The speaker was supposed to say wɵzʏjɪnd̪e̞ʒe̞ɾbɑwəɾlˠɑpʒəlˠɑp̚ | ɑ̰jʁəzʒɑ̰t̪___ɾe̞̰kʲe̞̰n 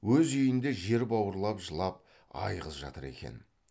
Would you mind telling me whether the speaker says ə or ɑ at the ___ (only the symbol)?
ə